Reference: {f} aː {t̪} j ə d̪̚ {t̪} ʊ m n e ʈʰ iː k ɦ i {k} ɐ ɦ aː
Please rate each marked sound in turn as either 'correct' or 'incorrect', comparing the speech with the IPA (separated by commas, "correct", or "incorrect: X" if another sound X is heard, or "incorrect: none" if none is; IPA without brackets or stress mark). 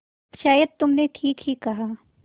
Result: incorrect: ʃ, incorrect: none, correct, correct